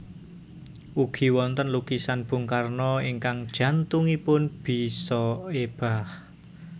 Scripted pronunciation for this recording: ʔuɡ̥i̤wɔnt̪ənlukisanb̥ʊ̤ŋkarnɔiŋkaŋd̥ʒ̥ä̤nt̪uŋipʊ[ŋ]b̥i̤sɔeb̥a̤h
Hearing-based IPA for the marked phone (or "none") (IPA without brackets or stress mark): n